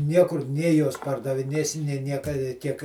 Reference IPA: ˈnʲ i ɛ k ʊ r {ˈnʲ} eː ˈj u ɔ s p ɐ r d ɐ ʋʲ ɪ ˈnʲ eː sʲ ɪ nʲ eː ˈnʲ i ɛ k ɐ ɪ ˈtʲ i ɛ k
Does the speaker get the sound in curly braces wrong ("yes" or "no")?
no